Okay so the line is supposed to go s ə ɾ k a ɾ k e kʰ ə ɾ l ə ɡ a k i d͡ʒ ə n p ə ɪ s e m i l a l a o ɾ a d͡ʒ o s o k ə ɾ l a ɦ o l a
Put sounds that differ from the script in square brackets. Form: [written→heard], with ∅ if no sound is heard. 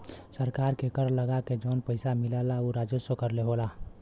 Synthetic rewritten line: s ə ɾ k a ɾ k e [kʰ→k] ə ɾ l ə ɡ a k [i→e] d͡ʒ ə n p ə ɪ s [e→a] m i l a l a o ɾ a d͡ʒ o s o k ə ɾ l [a→e] ɦ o l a